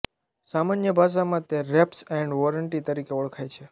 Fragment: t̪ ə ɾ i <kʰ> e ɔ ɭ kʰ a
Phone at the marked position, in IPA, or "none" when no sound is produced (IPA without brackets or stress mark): k